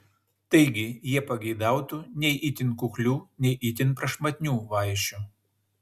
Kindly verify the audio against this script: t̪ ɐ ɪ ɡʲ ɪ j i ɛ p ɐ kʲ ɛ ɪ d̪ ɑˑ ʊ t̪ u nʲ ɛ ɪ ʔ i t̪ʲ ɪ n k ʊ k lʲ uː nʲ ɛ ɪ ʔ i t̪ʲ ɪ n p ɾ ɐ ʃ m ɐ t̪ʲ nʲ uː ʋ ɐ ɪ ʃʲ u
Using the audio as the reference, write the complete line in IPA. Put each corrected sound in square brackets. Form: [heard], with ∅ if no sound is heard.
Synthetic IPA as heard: t̪ ɐ ɪ ɡʲ ɪ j i ɛ p ɐ [ɡʲ] ɛ ɪ d̪ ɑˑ ʊ t̪ u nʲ ɛ ɪ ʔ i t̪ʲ ɪ n k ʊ k lʲ uː nʲ ɛ ɪ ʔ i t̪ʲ ɪ n p ɾ ɐ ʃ m ɐ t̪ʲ nʲ uː ʋ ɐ ɪ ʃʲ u